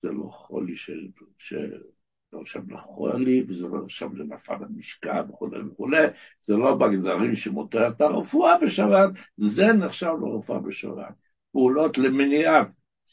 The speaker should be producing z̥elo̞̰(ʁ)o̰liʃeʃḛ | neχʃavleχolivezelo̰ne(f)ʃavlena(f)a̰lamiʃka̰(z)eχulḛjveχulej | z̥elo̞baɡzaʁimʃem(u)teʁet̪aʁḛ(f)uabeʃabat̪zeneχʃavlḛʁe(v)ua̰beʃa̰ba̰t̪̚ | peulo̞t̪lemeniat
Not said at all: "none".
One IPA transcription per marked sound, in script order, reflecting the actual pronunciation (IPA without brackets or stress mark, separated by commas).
χ, χ, f, v, o, f, f